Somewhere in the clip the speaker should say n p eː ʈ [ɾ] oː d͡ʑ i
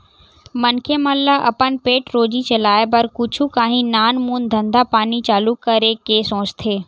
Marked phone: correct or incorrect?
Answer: correct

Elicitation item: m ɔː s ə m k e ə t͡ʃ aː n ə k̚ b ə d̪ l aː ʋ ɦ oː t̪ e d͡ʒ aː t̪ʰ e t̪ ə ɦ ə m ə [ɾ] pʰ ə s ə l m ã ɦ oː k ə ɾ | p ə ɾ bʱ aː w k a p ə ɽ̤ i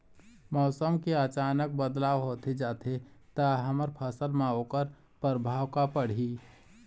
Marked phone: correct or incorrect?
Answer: correct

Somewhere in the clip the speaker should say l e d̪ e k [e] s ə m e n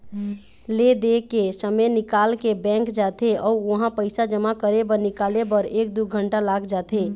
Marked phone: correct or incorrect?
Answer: correct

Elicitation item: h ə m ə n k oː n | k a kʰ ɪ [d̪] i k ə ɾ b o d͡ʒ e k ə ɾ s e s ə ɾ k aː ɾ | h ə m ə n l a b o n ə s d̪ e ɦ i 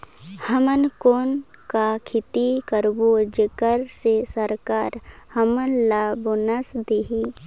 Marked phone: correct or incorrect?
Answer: incorrect: t̪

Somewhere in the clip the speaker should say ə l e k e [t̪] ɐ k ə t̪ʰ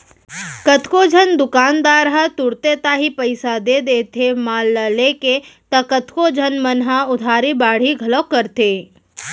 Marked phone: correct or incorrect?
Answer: correct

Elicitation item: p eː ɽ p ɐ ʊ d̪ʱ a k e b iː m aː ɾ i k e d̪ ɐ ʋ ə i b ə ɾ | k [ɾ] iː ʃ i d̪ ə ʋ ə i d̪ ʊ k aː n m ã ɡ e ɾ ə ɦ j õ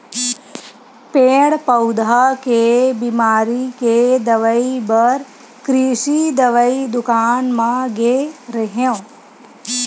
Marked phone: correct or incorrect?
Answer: correct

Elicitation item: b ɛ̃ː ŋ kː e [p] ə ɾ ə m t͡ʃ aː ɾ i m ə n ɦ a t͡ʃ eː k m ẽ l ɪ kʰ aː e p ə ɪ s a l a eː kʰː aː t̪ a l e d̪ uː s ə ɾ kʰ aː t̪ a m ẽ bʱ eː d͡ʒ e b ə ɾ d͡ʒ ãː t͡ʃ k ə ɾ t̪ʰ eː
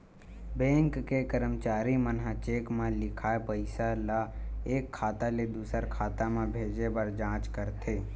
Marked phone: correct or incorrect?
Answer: incorrect: k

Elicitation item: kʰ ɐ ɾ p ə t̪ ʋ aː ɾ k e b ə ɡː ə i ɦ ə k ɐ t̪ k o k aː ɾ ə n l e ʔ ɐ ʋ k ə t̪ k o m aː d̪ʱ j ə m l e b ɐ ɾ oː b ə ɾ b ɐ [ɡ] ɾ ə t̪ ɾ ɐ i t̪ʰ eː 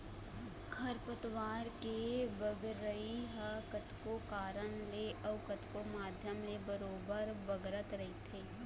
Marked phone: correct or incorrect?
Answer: correct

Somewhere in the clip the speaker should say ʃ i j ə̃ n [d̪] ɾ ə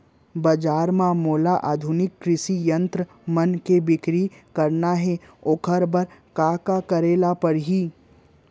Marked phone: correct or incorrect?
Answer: incorrect: t̪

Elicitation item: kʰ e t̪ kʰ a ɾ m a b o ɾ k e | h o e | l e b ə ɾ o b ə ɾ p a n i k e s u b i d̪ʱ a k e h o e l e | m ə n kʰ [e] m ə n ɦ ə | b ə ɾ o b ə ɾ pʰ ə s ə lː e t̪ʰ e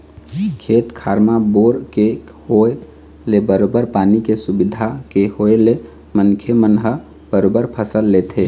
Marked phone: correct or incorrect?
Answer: correct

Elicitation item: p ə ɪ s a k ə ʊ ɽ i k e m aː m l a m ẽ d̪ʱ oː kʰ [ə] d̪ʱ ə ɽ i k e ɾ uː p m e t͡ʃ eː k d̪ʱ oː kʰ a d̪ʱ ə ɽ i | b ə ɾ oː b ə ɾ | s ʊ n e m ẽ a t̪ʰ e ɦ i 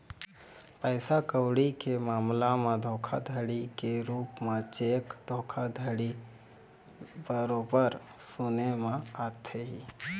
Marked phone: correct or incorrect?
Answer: incorrect: a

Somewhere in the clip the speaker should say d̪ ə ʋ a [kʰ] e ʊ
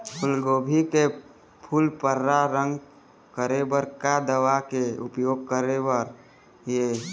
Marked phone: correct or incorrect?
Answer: incorrect: k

